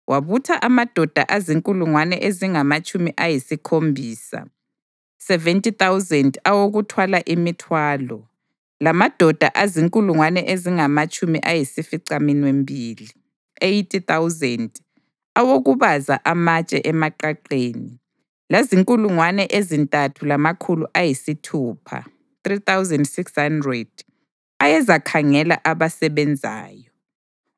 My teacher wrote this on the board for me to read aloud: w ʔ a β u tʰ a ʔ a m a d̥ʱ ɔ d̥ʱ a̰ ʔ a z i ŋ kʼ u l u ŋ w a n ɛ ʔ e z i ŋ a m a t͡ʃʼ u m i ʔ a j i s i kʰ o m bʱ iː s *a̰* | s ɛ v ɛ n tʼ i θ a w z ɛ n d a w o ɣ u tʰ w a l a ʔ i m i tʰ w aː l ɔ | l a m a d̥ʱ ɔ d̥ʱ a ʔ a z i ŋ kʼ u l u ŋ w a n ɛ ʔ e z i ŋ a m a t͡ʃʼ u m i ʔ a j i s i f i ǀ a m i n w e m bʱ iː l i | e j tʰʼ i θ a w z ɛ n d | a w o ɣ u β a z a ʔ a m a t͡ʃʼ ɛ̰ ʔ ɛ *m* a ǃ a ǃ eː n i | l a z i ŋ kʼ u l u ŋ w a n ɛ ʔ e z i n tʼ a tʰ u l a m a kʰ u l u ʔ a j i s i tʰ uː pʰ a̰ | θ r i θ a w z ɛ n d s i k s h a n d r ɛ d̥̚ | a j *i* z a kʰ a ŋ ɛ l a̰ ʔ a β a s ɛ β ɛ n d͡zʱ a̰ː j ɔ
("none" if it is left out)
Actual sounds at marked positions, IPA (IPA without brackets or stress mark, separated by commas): a̰, m, ɛ